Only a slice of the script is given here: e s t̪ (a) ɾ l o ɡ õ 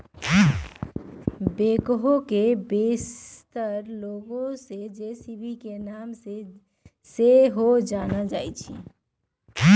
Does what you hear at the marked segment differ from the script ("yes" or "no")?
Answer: yes